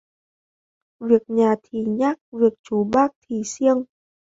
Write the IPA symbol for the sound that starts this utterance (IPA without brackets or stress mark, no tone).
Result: v